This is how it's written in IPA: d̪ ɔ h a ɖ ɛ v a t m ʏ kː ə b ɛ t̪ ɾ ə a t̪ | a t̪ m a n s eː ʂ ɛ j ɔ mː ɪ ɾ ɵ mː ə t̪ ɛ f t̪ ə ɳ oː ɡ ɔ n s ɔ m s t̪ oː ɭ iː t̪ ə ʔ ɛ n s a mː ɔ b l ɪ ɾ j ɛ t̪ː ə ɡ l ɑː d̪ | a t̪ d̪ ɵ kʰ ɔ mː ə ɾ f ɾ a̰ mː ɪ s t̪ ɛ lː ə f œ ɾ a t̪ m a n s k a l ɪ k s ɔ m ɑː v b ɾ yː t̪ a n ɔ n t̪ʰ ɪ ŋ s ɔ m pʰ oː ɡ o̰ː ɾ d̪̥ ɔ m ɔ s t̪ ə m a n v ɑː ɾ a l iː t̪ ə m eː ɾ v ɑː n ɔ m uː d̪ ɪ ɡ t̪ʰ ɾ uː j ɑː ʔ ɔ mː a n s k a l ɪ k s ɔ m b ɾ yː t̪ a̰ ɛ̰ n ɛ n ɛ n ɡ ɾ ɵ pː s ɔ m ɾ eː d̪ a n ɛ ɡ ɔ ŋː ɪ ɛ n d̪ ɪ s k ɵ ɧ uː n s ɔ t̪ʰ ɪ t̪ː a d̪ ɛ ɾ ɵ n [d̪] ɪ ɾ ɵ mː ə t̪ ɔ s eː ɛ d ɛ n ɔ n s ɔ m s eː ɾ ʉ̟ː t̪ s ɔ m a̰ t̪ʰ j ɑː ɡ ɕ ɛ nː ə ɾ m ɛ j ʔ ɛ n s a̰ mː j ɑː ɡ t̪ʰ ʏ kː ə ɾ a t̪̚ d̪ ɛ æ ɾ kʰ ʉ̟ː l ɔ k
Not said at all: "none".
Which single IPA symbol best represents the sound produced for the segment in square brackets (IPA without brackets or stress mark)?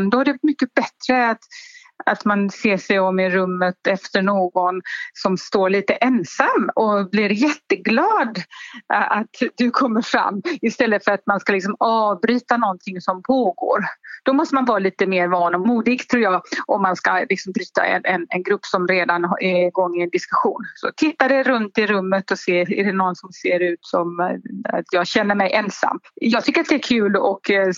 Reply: t̪